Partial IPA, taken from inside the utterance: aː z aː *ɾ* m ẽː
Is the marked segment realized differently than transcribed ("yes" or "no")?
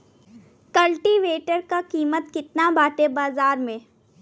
no